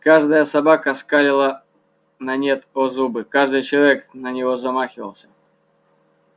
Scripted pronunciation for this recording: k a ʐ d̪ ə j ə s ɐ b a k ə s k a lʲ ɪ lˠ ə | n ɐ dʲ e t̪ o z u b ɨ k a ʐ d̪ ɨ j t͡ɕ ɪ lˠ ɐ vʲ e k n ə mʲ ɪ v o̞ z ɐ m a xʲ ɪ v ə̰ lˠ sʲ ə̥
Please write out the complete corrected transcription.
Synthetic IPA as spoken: k a ʐ d̪ ə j ə s ɐ b a k ə s k a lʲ ɪ lˠ ə | n ɐ nʲ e t̪ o z u b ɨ k a ʐ d̪ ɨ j t͡ɕ ɪ lˠ ɐ vʲ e k n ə nʲ ɪ v o̞ z ɐ m a xʲ ɪ v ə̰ lˠ sʲ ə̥